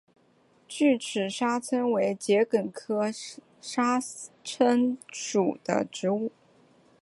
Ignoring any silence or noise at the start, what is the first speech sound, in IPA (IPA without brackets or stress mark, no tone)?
t͡ɕ